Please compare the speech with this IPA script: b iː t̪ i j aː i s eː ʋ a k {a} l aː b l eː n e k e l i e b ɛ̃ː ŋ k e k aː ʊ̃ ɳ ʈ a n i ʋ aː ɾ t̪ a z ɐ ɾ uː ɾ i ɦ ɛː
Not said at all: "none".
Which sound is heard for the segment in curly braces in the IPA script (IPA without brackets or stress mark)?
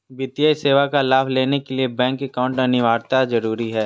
a